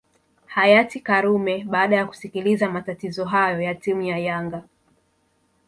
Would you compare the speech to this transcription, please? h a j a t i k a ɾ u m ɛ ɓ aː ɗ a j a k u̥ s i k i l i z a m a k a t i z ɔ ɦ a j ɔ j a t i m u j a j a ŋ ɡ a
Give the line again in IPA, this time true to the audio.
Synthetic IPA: h a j a t i k a ɾ u m ɛ ɓ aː ɗ a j a k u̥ s i k i l i z a m a t a t i z ɔ ɦ a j ɔ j a t i m u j a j a ŋ ɡ a